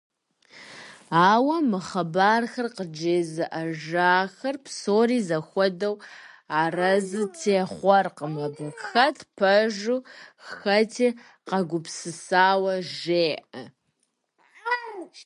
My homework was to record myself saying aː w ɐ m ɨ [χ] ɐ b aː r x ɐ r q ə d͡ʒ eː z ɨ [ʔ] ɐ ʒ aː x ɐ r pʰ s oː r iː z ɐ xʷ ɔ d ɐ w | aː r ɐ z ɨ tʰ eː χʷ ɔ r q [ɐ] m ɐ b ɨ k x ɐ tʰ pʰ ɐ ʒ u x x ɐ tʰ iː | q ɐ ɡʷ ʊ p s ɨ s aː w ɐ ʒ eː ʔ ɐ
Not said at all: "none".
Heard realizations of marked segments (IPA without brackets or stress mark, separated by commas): χ, ʔ, ə